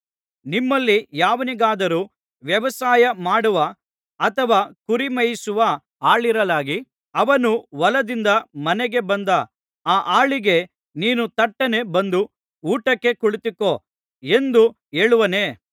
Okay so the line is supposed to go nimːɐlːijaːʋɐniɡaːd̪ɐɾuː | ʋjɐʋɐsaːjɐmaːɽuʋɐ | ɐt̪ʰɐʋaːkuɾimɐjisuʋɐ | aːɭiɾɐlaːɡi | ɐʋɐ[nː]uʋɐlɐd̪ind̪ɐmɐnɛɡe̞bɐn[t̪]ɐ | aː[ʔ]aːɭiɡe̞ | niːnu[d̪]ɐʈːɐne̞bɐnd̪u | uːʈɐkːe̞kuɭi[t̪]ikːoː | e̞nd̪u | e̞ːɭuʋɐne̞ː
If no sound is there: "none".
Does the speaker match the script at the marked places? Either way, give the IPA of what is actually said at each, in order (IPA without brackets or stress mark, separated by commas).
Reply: n, d̪, ʔ, t̪, t̪